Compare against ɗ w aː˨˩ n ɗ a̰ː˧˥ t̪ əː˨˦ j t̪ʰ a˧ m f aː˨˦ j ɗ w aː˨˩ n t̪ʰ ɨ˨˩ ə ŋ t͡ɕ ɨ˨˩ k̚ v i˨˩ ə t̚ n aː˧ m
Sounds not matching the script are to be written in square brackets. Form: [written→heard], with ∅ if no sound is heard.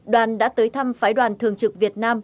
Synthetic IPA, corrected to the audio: ɗ w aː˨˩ n ɗ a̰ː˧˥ t̪ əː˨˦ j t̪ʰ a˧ m f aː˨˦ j ɗ w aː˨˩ n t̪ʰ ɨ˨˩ ə ŋ t͡ɕ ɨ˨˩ k̚ v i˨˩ ə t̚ n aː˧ m